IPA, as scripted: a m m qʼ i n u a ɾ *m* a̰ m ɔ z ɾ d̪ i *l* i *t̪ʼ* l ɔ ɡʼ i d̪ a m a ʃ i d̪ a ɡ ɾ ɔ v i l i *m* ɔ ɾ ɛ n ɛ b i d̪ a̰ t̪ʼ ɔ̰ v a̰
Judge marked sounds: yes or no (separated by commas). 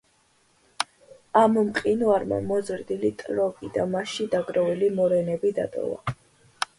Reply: yes, yes, yes, yes